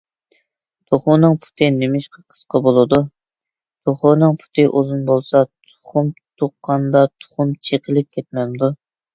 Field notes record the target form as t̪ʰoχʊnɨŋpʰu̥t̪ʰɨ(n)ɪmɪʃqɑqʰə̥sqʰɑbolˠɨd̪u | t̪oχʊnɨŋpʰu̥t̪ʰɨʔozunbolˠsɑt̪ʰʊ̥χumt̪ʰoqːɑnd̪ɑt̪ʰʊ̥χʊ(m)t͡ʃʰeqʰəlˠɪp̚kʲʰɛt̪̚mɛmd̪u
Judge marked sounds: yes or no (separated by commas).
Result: yes, yes